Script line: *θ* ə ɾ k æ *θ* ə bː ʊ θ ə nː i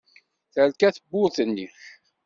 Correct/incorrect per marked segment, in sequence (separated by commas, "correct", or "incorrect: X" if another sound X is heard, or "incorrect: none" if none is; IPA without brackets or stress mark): correct, correct